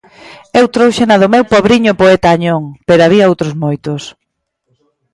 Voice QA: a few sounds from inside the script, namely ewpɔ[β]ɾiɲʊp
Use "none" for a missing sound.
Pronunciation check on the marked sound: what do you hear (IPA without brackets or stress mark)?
β